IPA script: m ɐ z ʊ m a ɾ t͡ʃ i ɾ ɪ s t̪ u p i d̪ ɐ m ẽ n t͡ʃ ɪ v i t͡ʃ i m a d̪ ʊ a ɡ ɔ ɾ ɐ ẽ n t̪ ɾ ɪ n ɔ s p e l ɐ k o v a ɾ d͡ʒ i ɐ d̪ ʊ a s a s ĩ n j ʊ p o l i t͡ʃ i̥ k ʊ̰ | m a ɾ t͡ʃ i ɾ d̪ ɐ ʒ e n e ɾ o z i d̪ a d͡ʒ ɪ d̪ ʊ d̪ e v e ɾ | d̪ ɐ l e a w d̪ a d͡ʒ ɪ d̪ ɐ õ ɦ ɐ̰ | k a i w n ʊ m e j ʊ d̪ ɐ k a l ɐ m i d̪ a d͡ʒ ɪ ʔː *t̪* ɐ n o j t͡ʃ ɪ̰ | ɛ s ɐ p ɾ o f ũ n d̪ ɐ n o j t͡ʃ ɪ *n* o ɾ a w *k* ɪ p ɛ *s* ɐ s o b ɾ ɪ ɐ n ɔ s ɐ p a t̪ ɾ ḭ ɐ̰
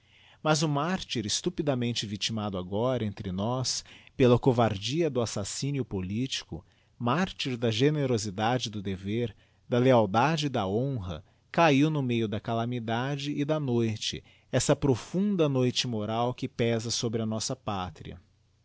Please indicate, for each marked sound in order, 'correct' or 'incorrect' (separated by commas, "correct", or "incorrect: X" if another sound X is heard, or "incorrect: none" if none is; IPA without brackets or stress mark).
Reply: incorrect: d̪, incorrect: m, correct, incorrect: z